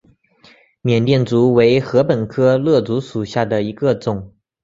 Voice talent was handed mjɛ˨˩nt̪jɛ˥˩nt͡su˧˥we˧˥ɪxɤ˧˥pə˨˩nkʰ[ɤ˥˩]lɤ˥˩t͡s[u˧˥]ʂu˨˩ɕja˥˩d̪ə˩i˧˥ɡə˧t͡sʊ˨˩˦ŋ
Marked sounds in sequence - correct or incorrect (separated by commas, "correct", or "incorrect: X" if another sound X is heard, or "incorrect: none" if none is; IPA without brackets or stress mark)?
incorrect: ɤ˥, correct